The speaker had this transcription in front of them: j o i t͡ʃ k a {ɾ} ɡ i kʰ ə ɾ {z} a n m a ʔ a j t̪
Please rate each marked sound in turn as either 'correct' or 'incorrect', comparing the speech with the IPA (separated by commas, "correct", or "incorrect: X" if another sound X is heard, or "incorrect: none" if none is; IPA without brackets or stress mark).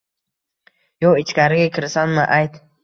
correct, incorrect: s